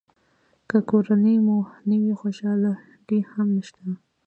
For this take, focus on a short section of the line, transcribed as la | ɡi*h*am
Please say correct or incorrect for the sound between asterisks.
correct